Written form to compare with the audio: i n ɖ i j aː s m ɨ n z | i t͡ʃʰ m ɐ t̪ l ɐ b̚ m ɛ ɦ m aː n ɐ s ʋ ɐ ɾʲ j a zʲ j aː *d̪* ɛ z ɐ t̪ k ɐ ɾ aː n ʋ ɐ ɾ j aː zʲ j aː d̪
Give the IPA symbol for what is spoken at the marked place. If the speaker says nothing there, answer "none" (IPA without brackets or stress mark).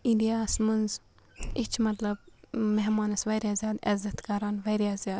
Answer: d̪